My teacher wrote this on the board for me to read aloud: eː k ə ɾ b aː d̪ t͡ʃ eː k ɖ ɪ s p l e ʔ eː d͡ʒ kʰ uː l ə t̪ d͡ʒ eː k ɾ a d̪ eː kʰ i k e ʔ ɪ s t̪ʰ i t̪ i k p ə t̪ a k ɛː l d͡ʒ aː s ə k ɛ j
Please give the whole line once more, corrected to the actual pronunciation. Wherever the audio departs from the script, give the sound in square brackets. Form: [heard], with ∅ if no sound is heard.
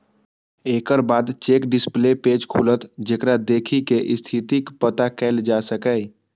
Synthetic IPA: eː k ə ɾ b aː d̪ t͡ʃ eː k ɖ ɪ s p l e [p] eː d͡ʒ kʰ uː l ə t̪ d͡ʒ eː k ɾ a d̪ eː kʰ i k e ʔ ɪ s t̪ʰ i t̪ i k p ə t̪ a k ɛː l d͡ʒ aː s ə k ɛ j